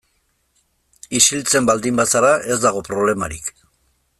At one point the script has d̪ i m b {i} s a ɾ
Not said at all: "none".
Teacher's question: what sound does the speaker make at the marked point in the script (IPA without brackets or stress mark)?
a